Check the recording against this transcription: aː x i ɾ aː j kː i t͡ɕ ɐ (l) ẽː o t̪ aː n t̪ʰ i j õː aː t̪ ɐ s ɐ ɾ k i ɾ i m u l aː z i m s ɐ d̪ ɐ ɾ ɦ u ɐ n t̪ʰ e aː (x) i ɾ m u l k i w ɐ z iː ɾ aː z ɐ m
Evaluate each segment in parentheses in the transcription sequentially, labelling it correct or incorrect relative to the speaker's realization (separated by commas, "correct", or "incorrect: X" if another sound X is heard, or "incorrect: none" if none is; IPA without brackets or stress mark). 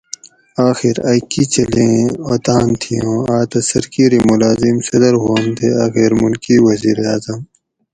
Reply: correct, correct